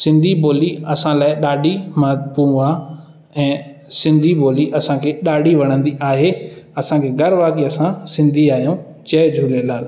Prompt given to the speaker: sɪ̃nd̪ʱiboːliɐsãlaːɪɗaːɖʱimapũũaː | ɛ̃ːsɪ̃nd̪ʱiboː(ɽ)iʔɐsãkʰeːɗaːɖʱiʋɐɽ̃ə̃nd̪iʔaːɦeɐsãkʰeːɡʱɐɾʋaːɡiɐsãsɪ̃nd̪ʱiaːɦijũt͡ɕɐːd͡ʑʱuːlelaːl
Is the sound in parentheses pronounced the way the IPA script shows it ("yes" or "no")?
no